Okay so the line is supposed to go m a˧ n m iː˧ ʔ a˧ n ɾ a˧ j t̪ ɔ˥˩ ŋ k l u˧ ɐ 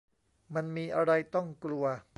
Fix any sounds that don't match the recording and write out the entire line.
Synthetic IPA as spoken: m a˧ n m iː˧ ʔ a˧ ɾ a˧ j t̪ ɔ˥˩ ŋ k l u˧ ɐ